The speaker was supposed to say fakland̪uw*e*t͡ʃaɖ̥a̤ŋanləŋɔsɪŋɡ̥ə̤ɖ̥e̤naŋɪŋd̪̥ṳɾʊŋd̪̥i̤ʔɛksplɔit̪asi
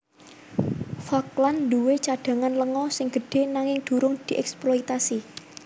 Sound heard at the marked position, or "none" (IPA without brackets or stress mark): e